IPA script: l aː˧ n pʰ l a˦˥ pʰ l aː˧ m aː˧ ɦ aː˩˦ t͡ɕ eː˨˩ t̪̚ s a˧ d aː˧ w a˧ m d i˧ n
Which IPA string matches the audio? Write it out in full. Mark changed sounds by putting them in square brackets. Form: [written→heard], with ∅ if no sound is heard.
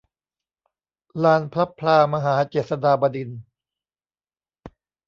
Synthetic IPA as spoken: l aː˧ n pʰ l a˦˥ pʰ l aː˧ m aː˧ ɦ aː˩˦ t͡ɕ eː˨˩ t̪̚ s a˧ d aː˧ [w→b] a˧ [m→∅] d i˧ n